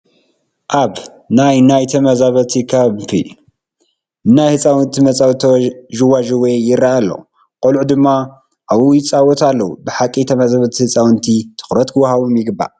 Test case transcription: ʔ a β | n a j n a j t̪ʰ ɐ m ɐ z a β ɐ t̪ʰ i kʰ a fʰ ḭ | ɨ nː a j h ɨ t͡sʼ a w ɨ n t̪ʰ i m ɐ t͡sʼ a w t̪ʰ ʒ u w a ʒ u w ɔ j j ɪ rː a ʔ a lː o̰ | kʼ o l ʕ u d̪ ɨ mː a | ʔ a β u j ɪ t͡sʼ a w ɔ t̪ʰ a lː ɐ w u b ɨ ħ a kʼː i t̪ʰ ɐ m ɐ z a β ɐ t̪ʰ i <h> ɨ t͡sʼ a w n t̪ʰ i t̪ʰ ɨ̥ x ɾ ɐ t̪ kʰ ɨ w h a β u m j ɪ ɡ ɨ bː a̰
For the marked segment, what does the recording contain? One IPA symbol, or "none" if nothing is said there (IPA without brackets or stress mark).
h